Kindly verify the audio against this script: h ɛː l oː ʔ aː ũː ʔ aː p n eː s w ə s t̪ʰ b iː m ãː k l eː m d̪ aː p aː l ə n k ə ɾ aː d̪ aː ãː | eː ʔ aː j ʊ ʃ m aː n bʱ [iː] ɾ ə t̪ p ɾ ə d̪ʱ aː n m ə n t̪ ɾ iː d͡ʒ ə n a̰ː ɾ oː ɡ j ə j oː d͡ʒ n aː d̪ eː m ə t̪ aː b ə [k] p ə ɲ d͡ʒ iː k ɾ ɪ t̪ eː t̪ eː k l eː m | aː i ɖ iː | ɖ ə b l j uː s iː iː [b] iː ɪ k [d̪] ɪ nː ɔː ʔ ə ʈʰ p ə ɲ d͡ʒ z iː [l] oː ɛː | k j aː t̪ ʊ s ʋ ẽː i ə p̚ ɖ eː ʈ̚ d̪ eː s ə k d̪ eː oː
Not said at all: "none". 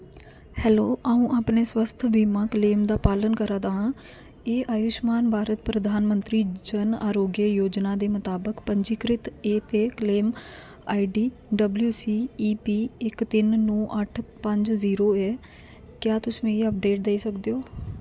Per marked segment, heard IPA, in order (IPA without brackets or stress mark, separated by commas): aː, k, p, t̪, ɾ